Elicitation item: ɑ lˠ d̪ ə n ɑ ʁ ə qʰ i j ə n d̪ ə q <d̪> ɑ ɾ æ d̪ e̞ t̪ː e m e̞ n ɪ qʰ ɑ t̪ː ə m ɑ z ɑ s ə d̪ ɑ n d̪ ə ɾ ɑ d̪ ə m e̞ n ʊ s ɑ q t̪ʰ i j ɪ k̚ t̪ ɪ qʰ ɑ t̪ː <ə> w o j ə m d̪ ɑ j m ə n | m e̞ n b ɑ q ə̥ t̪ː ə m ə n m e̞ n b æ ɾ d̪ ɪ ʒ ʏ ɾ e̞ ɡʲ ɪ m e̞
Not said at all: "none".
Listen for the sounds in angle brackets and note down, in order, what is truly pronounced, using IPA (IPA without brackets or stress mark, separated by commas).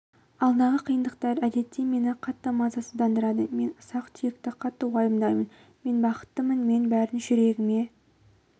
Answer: t̪, ə